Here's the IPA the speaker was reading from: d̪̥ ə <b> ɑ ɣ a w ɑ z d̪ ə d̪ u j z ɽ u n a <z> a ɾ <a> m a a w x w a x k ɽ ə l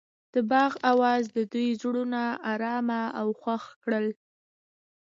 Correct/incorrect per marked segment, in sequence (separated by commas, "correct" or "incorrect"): correct, incorrect, incorrect